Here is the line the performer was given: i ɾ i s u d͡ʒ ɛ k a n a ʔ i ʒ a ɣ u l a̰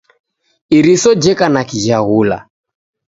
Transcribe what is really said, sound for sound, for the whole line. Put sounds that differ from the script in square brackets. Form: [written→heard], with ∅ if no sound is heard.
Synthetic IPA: i ɾ i s [u→ɔ] d͡ʒ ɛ k a n a [ʔ→k] i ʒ a ɣ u l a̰